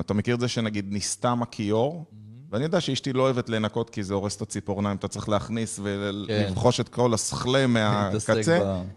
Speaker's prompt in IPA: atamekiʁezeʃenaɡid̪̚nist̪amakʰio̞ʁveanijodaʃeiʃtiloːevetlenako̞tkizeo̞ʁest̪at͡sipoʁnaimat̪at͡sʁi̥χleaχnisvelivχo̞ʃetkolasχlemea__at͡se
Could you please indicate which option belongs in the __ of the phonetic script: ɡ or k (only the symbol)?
k